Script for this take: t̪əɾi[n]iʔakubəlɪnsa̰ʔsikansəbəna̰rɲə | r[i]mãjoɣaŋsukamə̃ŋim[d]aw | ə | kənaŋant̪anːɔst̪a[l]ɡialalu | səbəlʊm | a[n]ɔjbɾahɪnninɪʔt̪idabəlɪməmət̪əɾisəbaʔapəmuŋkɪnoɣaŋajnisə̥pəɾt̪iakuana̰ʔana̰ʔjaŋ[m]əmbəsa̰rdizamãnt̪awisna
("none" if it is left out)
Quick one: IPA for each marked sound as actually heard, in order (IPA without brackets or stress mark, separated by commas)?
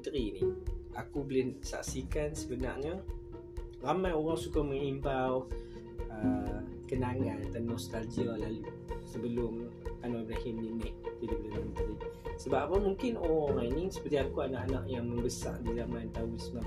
n, a, b, l, n, m